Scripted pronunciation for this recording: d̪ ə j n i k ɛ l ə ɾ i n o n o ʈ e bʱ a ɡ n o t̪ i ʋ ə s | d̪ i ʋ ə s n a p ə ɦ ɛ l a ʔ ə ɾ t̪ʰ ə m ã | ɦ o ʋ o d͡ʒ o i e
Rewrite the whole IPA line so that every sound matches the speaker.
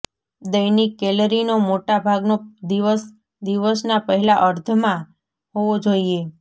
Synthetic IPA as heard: d̪ ə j n i k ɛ l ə ɾ i n o m o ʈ a bʱ a ɡ n o d̪ i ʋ ə s | d̪ i ʋ ə s n a p ə ɦ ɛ l a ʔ ə ɾ t̪ʰ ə m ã | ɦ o ʋ o d͡ʒ o i e

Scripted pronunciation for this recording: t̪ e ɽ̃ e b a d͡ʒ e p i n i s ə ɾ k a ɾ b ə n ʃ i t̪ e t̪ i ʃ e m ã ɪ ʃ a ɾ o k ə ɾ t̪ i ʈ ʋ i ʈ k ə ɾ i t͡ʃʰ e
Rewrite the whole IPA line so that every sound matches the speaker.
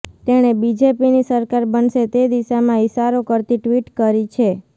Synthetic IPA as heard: t̪ e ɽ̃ e b i d͡ʒ e p i n i s ə ɾ k a ɾ b ə n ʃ e t̪ e d̪ i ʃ a m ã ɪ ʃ a ɾ o k ə ɾ t̪ i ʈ ʋ i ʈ k ə ɾ i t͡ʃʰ e

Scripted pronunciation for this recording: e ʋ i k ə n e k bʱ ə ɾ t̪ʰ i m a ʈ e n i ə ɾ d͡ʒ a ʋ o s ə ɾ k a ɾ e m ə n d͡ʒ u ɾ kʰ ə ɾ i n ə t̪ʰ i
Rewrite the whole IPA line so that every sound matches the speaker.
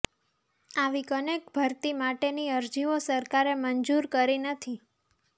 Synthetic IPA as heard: a ʋ i k ə n e k bʱ ə ɾ t̪ i m a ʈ e n i ə ɾ d͡ʒ i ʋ o s ə ɾ k a ɾ e m ə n d͡ʒ u ɾ k ə ɾ i n ə t̪ʰ i

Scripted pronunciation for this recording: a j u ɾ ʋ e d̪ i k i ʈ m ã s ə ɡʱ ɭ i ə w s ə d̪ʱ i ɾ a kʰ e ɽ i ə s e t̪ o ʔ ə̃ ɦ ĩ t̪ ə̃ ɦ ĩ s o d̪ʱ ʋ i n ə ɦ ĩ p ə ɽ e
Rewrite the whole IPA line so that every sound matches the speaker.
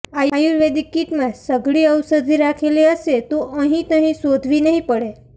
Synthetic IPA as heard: a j u ɾ ʋ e d̪ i k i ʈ m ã s ə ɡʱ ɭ i ə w s ə d̪ʱ i ɾ a kʰ e l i ə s e t̪ o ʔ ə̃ ɦ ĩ t̪ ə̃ ɦ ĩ s o d̪ʱ ʋ i n ə ɦ ĩ p ə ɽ e

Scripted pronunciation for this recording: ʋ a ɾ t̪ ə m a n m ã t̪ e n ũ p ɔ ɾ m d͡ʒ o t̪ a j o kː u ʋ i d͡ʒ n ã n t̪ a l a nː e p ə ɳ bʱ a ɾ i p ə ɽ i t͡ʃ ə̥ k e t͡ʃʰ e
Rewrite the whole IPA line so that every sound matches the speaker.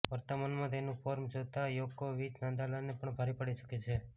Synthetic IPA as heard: ʋ ə ɾ t̪ ə m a n m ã t̪ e n ũ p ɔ ɾ m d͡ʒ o t̪ a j o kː o ʋ i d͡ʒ n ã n d̪ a l a n e p ə ɳ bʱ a ɾ i p ə ɽ i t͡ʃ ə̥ k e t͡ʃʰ e

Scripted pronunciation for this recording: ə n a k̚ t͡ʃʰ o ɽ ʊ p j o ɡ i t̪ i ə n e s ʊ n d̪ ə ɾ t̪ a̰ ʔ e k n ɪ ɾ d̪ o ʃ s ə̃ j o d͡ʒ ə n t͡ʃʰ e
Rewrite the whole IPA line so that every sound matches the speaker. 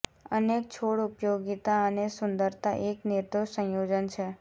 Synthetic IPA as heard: ə n e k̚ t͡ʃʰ o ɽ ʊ p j o ɡ i t̪ a ə n e s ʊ n d̪ ə ɾ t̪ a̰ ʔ e k n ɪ ɾ d̪ o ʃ s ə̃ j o d͡ʒ ə n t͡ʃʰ e

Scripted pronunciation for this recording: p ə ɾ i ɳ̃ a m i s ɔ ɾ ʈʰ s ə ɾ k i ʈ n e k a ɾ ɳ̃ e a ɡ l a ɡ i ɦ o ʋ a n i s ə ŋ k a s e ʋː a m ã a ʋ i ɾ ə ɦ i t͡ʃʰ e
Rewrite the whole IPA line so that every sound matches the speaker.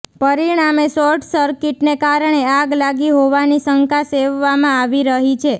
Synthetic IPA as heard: p ə ɾ i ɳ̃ a m e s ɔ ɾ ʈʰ s ə ɾ k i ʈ n e k a ɾ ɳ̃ e a ɡ l a ɡ i ɦ o ʋ a n i s ə ŋ k a s e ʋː a m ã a ʋ i ɾ ə ɦ i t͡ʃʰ e

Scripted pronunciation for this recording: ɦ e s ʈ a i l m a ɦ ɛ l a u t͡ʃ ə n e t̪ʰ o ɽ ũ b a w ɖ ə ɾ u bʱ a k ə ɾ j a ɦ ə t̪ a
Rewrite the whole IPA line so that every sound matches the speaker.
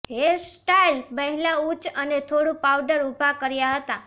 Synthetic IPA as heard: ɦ e s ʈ a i l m ə ɦ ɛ l a u t͡ʃ ə n e t̪ʰ o ɽ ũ p a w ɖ ə ɾ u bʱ a k ə ɾ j a ɦ ə t̪ a

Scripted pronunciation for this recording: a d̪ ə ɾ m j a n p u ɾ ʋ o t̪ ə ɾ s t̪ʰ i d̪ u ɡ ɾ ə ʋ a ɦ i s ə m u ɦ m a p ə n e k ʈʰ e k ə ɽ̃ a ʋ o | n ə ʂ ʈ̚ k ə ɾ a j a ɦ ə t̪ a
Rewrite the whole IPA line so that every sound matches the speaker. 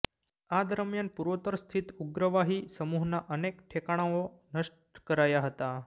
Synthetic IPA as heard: a d̪ ə ɾ m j a n p u ɾ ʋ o t̪ ə ɾ s t̪ʰ i t̪ u ɡ ɾ ə ʋ a ɦ i s ə m u ɦ n a ʔ ə n e k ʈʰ e k a ɽ̃ a ʋ o | n ə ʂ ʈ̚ k ə ɾ a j a ɦ ə t̪ a

